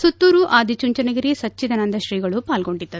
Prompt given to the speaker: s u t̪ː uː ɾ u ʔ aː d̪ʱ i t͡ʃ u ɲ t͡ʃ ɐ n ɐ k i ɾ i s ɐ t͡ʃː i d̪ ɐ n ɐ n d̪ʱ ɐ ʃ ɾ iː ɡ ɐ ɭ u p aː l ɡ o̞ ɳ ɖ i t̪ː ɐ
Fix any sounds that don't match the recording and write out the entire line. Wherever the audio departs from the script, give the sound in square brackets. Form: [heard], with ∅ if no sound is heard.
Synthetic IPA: s u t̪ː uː ɾ u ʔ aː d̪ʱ i t͡ʃ u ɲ t͡ʃ ɐ n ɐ [ɡ] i ɾ i s ɐ t͡ʃː i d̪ ɐ n ɐ n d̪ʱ ɐ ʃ ɾ iː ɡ ɐ ɭ u p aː l ɡ o̞ ɳ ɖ i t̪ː ɐ